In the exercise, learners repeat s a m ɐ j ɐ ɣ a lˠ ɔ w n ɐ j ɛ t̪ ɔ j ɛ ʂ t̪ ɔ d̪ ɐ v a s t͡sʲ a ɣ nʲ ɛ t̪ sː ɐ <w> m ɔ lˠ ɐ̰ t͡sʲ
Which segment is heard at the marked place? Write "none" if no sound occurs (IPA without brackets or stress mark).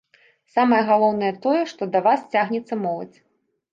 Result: none